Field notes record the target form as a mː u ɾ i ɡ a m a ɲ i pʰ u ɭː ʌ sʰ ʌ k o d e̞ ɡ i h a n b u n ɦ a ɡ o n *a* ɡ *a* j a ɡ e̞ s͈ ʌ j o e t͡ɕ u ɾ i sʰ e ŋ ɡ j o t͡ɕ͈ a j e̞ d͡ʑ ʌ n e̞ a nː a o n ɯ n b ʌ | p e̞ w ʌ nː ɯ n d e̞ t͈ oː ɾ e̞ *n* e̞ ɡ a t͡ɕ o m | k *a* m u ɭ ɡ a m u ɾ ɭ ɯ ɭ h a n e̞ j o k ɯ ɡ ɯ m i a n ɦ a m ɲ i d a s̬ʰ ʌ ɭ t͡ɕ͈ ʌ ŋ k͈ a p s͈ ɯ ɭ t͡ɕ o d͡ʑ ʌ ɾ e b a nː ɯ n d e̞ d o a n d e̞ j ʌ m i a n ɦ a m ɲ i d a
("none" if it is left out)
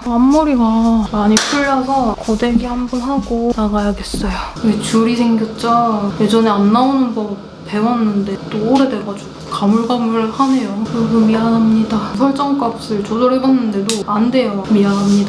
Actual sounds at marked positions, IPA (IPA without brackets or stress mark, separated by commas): a, a, d, a